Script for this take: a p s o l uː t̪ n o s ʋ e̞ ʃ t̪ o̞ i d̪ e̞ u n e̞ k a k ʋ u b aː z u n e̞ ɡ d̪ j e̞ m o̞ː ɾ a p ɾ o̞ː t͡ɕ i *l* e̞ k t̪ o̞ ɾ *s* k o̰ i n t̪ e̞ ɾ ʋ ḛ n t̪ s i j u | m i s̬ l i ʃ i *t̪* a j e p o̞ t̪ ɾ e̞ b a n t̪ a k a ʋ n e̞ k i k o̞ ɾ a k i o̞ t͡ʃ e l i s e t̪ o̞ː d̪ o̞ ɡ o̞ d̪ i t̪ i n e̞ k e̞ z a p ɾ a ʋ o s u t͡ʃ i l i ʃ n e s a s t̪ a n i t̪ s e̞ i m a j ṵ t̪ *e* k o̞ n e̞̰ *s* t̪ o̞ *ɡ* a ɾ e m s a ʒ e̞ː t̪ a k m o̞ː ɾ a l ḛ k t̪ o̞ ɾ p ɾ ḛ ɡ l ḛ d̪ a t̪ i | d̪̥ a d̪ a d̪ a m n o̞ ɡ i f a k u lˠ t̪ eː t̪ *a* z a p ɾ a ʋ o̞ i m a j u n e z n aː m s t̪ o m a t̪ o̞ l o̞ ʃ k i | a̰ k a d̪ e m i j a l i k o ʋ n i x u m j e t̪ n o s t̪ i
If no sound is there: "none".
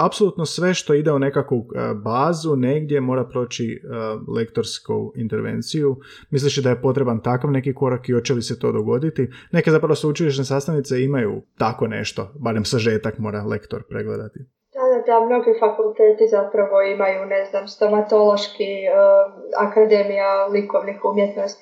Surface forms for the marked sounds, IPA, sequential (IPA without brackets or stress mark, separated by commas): l, s, d̪, a, ʃ, b, i